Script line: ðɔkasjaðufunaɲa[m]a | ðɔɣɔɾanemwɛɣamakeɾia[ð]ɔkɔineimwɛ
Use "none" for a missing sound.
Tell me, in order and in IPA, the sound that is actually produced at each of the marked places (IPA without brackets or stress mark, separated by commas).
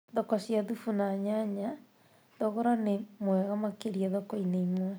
ɲ, ð